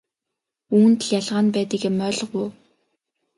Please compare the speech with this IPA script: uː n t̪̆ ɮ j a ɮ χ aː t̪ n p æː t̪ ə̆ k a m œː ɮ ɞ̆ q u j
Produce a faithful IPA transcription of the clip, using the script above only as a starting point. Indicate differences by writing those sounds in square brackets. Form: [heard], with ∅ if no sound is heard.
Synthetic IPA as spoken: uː n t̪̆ ɮ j a ɮ [ʁ] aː [∅] n p æː t̪ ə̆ k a m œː ɮ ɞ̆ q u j